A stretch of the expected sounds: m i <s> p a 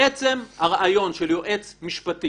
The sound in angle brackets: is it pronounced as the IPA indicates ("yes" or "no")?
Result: no